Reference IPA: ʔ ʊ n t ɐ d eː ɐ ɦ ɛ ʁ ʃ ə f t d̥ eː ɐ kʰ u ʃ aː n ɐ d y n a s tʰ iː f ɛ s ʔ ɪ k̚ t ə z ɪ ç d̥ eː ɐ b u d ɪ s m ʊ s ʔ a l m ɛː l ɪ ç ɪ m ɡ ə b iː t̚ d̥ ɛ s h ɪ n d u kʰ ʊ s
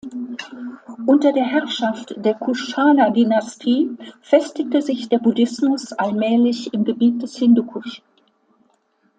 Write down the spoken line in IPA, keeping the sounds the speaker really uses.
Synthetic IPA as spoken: ʔ ʊ n t ɐ d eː ɐ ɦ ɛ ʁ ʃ a f t d̥ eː ɐ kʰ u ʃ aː n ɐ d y n a s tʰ iː f ɛ s t ɪ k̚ t ə z ɪ ç d̥ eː ɐ b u d ɪ s m ʊ s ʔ a l m ɛː l ɪ ç ɪ m ɡ ə b iː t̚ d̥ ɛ s h ɪ n d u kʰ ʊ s

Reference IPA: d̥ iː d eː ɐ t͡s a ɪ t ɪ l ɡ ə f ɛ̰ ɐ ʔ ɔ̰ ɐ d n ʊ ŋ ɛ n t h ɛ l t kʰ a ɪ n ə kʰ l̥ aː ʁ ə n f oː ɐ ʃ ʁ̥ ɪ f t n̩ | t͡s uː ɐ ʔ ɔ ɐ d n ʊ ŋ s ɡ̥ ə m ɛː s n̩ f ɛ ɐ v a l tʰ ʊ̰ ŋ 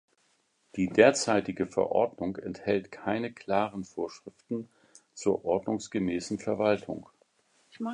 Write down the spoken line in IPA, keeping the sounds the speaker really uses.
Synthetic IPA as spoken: d̥ iː d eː ɐ t͡s a ɪ t ɪ ɡ ə f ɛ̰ ɐ ʔ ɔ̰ ɐ d n ʊ ŋ ɛ n t h ɛ l t kʰ a ɪ n ə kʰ l̥ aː ʁ ə n f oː ɐ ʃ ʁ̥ ɪ f t n̩ | t͡s uː ɐ ʔ ɔ ɐ d n ʊ ŋ s ɡ̥ ə m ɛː s n̩ f ɛ ɐ v a l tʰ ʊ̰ ŋ

